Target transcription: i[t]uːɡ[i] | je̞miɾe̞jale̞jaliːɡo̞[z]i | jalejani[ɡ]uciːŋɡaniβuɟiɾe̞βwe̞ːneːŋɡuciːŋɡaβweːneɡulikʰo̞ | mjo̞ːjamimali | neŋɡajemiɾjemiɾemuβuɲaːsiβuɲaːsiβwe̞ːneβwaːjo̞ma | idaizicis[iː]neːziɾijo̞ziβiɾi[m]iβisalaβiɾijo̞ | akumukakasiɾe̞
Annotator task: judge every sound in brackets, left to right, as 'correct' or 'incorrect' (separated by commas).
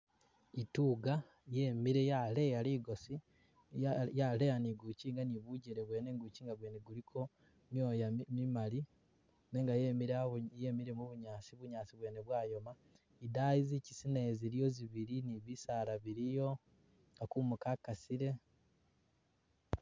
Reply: correct, incorrect, incorrect, correct, incorrect, incorrect